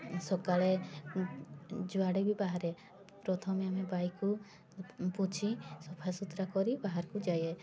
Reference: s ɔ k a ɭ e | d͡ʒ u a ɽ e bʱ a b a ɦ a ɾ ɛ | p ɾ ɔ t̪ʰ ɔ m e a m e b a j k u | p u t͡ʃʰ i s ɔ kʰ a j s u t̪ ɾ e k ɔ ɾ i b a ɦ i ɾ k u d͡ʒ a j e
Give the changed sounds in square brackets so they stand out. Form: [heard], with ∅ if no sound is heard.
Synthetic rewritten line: s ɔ k a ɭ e | d͡ʒ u a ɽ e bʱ [i] b a ɦ a ɾ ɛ | p ɾ ɔ t̪ʰ ɔ m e a m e b a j k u | p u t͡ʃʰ i s ɔ [pʰ] a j s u t̪ ɾ [a] k ɔ ɾ i b a ɦ [a] ɾ k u d͡ʒ a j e

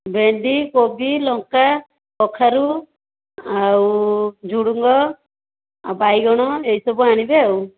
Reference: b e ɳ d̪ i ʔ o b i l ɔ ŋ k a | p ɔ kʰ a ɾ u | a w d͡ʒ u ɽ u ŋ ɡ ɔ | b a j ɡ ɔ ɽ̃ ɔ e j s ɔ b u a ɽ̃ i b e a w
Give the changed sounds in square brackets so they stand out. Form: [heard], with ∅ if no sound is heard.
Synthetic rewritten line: b e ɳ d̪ i [k] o b i l ɔ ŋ k a | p ɔ kʰ a ɾ u | a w d͡ʒ u ɽ u ŋ ɡ ɔ | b a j ɡ ɔ ɽ̃ ɔ e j s ɔ b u a ɽ̃ i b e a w

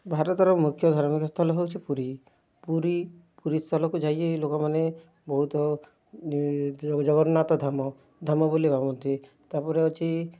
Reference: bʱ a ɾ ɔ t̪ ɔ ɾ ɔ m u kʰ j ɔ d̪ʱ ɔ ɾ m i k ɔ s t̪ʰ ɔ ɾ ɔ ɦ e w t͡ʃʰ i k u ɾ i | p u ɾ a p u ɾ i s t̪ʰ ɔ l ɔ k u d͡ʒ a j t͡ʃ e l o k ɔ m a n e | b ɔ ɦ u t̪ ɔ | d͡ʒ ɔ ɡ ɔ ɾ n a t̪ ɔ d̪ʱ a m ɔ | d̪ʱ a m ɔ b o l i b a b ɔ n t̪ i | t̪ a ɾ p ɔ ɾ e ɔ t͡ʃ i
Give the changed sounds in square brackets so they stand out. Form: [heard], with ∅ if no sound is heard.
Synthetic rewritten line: bʱ a ɾ ɔ t̪ ɔ ɾ ɔ m u kʰ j ɔ d̪ʱ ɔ ɾ m i k ɔ s t̪ʰ ɔ [l] ɔ ɦ e w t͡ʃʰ i [p] u ɾ i | p u ɾ [i] p u ɾ i s t̪ʰ ɔ l ɔ k u d͡ʒ a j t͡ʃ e l o k ɔ m a n e | b ɔ ɦ u t̪ ɔ | d͡ʒ ɔ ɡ ɔ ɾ n a t̪ ɔ d̪ʱ a m ɔ | d̪ʱ a m ɔ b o l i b a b ɔ n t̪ i | t̪ a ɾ p ɔ ɾ e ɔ t͡ʃ i

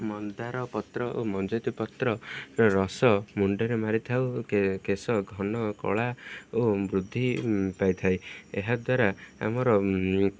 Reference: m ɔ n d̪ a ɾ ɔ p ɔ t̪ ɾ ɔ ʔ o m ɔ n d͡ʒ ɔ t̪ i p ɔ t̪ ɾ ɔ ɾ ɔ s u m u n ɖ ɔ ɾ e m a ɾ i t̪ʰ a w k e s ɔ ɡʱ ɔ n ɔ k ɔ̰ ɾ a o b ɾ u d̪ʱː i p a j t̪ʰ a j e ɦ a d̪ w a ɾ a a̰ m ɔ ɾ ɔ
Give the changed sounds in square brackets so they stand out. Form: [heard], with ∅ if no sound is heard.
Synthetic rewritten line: m ɔ n d̪ a ɾ ɔ p ɔ t̪ ɾ ɔ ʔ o m ɔ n d͡ʒ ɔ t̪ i p ɔ t̪ ɾ ɔ ɾ ɔ s [ɔ] m u [ɳ] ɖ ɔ ɾ e m a ɾ i t̪ʰ a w k e s ɔ ɡʱ ɔ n ɔ k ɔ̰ [ɭ] a o b ɾ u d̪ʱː i p a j t̪ʰ a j e ɦ a d̪ w a ɾ a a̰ m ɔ ɾ ɔ

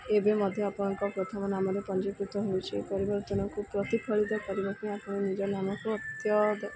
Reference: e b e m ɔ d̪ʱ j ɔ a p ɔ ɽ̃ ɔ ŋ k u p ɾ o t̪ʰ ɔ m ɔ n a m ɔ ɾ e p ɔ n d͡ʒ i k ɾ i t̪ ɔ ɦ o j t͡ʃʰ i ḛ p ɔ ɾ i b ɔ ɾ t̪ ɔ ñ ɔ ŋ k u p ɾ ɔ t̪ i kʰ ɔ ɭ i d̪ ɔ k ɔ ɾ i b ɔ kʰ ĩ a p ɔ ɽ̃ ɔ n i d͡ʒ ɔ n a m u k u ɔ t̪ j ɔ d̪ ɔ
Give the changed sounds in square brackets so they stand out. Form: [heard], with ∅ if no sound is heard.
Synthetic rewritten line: e b e m ɔ d̪ʱ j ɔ a p ɔ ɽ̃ ɔ ŋ k [ɔ] p ɾ o t̪ʰ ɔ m ɔ n a m ɔ ɾ e p ɔ n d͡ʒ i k ɾ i t̪ ɔ ɦ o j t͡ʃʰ i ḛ p ɔ ɾ i b ɔ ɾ t̪ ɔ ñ ɔ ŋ k u p ɾ ɔ t̪ i kʰ ɔ ɭ i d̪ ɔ k ɔ ɾ i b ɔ [k] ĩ a p ɔ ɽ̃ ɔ n i d͡ʒ ɔ n a m [ɔ] k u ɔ t̪ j ɔ d̪ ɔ

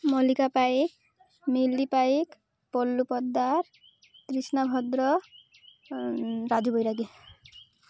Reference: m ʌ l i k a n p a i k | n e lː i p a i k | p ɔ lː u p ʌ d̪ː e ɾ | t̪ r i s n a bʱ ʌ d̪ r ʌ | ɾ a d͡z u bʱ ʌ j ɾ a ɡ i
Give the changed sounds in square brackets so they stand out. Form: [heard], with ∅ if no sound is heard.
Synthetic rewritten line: m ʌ l i k a [∅] p a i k | [m] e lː i p a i k | p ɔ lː u p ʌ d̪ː [a] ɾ | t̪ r i s n a bʱ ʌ d̪ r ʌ | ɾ a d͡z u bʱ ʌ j ɾ a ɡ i

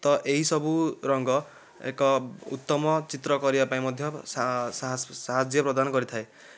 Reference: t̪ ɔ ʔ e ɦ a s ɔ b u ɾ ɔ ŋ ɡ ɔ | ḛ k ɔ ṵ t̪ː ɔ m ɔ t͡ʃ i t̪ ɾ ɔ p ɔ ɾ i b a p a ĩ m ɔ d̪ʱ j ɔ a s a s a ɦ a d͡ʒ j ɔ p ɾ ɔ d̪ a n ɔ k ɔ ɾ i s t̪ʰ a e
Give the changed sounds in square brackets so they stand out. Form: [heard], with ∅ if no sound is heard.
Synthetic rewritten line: t̪ ɔ ʔ e ɦ [i] s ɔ b u ɾ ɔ ŋ ɡ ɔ | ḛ k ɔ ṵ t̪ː ɔ m ɔ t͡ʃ i t̪ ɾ ɔ [k] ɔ ɾ i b a p a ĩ m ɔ d̪ʱ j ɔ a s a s a ɦ a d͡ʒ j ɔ p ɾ ɔ d̪ a n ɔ k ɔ ɾ i [∅] t̪ʰ a e

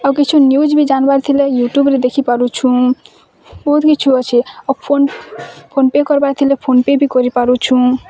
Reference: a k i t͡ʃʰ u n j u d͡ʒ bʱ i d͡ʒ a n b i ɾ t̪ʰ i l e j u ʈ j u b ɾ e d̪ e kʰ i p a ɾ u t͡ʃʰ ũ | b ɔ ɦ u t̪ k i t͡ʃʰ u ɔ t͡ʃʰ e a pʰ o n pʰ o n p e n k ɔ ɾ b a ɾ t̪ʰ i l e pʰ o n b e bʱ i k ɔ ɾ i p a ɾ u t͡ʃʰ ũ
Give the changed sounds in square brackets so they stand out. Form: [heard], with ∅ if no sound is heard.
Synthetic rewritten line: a k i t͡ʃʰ u n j u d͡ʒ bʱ i d͡ʒ a n b [a] ɾ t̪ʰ i l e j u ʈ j u b ɾ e d̪ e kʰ i p a ɾ u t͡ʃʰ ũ | b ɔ ɦ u t̪ k i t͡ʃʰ u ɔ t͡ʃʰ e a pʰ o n pʰ o n p e [∅] k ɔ ɾ b a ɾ t̪ʰ i l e pʰ o n [p] e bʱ i k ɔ ɾ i p a ɾ u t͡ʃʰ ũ

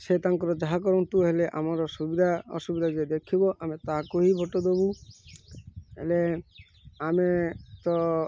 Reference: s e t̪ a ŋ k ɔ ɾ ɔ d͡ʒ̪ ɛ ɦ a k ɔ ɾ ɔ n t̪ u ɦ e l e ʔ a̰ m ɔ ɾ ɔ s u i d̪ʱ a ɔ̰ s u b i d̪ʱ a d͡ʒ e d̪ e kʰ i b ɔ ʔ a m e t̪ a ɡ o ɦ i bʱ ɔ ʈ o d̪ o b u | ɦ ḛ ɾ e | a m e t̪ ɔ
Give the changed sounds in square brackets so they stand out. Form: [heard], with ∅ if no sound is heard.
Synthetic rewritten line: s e t̪ a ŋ k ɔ ɾ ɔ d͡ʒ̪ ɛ ɦ a k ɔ ɾ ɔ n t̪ u ɦ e l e ʔ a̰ m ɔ ɾ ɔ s u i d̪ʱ a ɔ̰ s u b i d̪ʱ a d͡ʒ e d̪ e kʰ i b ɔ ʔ a m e t̪ a [k] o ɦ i bʱ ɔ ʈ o d̪ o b u | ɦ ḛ [l] e | a m e t̪ ɔ

